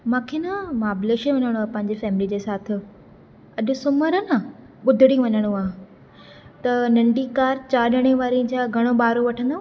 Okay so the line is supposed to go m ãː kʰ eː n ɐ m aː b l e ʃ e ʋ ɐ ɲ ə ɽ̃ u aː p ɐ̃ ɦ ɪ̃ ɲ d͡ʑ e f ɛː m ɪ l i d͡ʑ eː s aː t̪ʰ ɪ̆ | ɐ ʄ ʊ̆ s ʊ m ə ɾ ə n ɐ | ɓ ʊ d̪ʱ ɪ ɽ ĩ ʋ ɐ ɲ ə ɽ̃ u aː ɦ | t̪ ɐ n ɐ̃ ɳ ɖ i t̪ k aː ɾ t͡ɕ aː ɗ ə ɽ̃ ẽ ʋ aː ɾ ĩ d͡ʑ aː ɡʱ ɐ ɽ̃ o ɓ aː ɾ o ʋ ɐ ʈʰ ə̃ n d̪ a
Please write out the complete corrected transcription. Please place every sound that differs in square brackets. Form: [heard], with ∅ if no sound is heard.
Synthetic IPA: m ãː kʰ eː n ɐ m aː b l e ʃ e ʋ ɐ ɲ ə ɽ̃ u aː p ɐ̃ ɦ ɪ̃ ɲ d͡ʑ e f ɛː m ɪ l i d͡ʑ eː s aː t̪ʰ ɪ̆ | ɐ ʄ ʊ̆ s ʊ m ə ɾ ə n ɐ | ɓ ʊ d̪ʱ ɪ ɽ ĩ ʋ ɐ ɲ ə ɽ̃ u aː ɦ | t̪ ɐ n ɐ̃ ɳ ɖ i [∅] k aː ɾ t͡ɕ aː ɗ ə ɽ̃ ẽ ʋ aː ɾ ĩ d͡ʑ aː ɡʱ ɐ ɽ̃ o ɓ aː ɾ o ʋ ɐ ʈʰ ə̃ n d̪ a

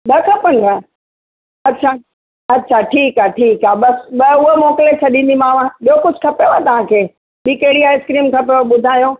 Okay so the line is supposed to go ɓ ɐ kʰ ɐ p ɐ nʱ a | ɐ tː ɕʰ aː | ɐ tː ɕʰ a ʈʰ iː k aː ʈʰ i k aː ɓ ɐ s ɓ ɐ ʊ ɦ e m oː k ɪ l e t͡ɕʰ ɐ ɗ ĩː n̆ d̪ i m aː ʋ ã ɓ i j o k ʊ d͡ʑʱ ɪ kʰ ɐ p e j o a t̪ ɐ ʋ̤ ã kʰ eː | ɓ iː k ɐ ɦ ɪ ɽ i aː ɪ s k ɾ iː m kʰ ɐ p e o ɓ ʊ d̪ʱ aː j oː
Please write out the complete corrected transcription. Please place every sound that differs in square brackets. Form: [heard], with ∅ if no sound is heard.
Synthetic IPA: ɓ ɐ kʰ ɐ p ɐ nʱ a | ɐ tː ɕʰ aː | ɐ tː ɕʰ a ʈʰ iː k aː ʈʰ [iː] k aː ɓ ɐ s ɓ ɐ ʊ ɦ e m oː k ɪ l e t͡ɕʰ ɐ ɗ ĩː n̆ d̪ i m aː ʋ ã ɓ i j o k ʊ d͡ʑʱ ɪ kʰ ɐ p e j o a t̪ ɐ ʋ̤ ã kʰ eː | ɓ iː k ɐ ɦ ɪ ɽ i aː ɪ s k ɾ iː m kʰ ɐ p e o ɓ ʊ d̪ʱ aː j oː

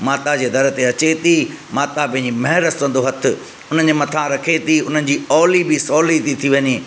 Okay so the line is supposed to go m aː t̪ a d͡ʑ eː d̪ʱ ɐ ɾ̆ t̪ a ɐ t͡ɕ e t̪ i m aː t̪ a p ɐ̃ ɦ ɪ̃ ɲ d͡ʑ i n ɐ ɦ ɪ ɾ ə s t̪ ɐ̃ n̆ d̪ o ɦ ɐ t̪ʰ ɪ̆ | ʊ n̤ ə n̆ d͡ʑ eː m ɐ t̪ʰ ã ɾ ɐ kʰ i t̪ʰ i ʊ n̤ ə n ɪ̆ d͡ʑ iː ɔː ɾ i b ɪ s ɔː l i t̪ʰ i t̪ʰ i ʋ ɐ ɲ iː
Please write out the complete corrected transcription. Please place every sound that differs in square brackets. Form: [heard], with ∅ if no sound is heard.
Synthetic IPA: m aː t̪ a d͡ʑ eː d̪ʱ ɐ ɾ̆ t̪ [e] ɐ t͡ɕ e t̪ i m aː t̪ a p ɐ̃ ɦ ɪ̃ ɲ d͡ʑ i [m] ɐ ɦ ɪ ɾ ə s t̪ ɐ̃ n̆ d̪ o ɦ ɐ t̪ʰ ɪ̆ | ʊ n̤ ə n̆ d͡ʑ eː m ɐ t̪ʰ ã ɾ ɐ kʰ [e] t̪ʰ i ʊ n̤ ə n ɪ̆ d͡ʑ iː ɔː [l] i b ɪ s ɔː l i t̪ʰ i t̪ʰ i ʋ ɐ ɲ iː

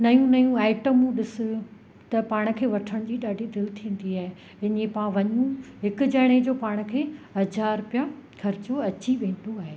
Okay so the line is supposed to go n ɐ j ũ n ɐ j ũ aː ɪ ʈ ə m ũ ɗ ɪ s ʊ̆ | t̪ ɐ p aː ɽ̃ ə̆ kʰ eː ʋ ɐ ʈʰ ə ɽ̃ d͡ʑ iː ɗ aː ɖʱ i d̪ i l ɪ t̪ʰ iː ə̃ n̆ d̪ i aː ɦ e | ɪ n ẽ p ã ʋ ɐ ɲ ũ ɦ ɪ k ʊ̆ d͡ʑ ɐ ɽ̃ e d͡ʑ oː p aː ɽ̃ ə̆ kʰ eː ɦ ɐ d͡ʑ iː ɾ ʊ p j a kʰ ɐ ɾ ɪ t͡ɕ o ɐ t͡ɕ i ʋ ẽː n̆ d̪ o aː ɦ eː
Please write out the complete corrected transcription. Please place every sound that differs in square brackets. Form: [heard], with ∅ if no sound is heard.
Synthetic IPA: n ɐ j ũ n ɐ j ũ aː ɪ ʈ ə m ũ ɗ ɪ s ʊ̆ | t̪ ɐ p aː ɽ̃ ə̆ kʰ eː ʋ ɐ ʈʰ ə ɽ̃ d͡ʑ iː ɗ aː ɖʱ i d̪ [ɪ] l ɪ t̪ʰ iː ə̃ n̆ d̪ i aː ɦ e | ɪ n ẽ p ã ʋ ɐ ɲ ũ ɦ ɪ k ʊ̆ d͡ʑ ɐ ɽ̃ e d͡ʑ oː p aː ɽ̃ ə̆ kʰ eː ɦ ɐ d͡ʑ [aː] ɾ ʊ p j a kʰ ɐ ɾ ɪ t͡ɕ o ɐ t͡ɕ i ʋ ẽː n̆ d̪ o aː ɦ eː

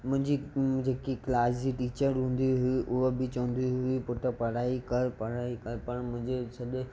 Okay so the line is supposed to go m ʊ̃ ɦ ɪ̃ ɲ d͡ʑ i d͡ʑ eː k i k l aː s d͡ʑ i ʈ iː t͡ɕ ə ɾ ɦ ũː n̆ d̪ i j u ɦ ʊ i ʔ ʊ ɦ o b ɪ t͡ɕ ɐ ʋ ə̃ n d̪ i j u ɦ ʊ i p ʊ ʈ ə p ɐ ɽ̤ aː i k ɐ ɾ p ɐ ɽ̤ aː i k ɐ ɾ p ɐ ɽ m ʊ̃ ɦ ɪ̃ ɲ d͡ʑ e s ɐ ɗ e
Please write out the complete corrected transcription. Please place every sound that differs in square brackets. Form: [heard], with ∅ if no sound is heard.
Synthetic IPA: m ʊ̃ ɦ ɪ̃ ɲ d͡ʑ i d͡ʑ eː k i k l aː s d͡ʑ i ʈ iː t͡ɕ ə ɾ ɦ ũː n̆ d̪ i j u ɦ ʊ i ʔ ʊ ɦ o b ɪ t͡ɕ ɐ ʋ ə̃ n d̪ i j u ɦ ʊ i p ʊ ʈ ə p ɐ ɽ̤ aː i k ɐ ɾ p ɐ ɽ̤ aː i k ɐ ɾ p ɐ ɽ m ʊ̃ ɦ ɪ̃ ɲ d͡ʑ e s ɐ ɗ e

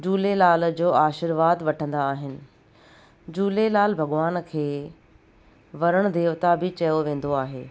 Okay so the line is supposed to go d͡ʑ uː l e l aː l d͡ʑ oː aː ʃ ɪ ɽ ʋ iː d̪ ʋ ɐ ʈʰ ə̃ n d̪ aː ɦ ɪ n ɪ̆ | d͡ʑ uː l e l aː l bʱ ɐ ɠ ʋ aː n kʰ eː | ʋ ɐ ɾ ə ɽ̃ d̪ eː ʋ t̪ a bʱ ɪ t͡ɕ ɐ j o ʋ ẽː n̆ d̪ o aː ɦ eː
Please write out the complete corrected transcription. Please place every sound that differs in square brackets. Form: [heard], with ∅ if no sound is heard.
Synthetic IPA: d͡ʑ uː l e l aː l d͡ʑ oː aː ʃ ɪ [ɾ] ʋ [aː] d̪ ʋ ɐ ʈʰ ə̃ n d̪ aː ɦ ɪ n ɪ̆ | d͡ʑ uː l e l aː l bʱ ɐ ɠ ʋ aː n kʰ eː | ʋ ɐ ɾ ə ɽ̃ d̪ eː ʋ t̪ a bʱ ɪ t͡ɕ ɐ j o ʋ ẽː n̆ d̪ o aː ɦ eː

